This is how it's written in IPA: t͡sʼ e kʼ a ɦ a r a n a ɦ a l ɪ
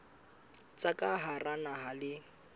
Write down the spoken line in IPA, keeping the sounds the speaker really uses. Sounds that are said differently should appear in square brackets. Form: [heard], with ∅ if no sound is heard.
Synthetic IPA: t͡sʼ [a] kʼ a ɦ a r a n a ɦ a l ɪ